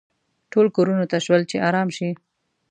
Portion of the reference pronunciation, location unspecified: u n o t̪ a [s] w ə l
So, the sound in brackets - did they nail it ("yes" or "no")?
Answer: no